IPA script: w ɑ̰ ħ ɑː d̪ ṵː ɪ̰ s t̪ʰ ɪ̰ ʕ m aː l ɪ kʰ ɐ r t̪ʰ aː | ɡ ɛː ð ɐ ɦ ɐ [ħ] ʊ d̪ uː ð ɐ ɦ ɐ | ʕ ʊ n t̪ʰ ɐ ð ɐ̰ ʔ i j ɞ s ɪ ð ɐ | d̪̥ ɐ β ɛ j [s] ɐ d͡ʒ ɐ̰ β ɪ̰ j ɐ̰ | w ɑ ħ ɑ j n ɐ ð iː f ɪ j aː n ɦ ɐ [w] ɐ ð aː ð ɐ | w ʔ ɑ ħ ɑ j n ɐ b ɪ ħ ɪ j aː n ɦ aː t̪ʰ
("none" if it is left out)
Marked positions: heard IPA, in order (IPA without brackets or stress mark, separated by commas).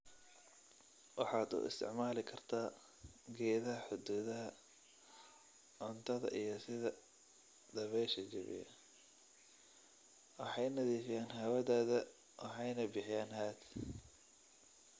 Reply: ħ, ʃ, w